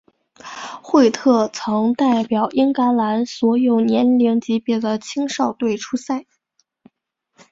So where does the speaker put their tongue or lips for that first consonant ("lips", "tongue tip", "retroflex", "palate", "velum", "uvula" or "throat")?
velum